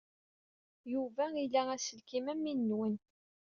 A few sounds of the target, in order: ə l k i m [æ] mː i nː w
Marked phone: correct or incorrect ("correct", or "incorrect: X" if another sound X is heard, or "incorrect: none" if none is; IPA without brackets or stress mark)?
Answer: correct